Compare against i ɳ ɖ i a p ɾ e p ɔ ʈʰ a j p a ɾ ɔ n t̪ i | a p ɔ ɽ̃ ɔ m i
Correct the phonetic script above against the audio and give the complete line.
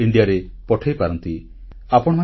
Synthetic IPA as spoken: i ɳ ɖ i a ɾ e p ɔ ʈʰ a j p a ɾ ɔ n t̪ i | a p ɔ ɽ̃ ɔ m a